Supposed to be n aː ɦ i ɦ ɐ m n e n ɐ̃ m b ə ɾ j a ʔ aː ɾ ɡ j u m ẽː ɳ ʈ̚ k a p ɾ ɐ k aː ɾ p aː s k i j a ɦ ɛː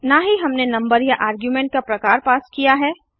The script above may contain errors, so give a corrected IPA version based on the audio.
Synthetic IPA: n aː ɦ i ɦ ɐ m n e n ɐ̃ m b ə ɾ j a ʔ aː ɾ ɡ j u m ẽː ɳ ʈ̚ k a p ɾ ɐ k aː ɾ p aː s k i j a ɦ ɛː